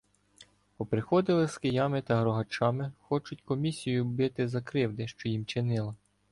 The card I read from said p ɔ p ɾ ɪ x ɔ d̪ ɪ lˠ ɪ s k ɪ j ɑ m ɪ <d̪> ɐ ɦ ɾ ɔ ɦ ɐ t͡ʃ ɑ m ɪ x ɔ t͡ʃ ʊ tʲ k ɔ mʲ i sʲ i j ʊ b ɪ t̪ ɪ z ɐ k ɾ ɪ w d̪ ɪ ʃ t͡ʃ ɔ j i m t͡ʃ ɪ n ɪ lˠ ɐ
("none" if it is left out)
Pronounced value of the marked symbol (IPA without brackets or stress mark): t̪